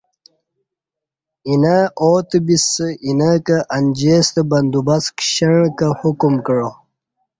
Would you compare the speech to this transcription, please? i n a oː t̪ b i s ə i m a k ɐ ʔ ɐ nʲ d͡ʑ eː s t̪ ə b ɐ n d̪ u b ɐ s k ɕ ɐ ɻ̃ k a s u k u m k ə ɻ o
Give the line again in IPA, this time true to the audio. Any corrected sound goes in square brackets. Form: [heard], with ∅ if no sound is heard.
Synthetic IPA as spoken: i n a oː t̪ b i s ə i [n] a k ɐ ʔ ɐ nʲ d͡ʑ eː s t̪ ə b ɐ n d̪ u b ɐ s k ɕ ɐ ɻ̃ k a [h] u k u m k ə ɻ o